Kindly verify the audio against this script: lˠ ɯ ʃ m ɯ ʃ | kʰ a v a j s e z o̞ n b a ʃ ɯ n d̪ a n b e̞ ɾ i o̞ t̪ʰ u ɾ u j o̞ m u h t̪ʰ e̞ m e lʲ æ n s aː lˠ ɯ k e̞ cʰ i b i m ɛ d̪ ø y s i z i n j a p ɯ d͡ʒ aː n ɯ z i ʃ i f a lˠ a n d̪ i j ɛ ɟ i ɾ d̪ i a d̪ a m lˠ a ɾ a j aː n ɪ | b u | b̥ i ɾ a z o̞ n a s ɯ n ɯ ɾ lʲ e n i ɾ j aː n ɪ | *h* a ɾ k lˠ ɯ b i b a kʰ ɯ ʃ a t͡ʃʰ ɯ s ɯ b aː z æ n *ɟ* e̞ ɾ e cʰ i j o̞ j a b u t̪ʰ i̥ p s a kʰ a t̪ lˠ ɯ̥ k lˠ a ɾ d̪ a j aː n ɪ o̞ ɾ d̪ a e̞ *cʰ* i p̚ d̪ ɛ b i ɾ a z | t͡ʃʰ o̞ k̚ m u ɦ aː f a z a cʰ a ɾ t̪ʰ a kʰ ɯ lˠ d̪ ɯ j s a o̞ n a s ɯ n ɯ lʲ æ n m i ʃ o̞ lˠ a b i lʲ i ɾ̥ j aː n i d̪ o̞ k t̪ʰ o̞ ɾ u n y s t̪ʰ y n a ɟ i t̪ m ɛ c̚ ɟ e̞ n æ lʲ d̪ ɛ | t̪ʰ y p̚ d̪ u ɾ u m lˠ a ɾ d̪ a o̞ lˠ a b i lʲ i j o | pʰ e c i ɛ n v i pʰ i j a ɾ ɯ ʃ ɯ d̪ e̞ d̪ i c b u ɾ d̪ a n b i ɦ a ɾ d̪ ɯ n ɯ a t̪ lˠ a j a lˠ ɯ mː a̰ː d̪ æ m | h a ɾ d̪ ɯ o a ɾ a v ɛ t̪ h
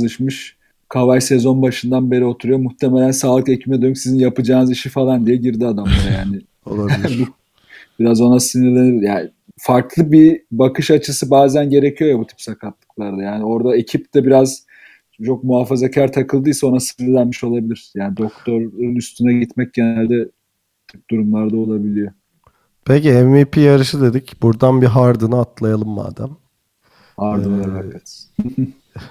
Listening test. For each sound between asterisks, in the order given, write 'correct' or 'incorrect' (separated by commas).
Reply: incorrect, correct, correct